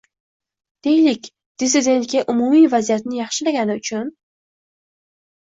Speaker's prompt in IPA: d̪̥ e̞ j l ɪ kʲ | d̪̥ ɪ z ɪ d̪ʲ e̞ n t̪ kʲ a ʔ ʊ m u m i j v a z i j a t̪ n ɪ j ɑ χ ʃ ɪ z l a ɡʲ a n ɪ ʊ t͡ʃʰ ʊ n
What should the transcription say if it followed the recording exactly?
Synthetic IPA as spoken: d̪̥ e̞ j l ɪ kʲ | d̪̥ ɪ s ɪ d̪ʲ e̞ n t̪ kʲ a ʔ ʊ m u m i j v a z i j a t̪ n ɪ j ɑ χ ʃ ɪ l a ɡʲ a n ɪ ʊ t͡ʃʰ ʊ n